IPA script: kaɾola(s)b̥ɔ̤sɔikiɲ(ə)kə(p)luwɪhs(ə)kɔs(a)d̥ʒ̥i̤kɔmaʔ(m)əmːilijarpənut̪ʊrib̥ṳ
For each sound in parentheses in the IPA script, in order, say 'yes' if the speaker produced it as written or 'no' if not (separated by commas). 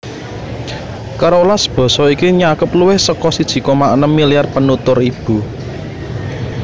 yes, no, yes, yes, no, no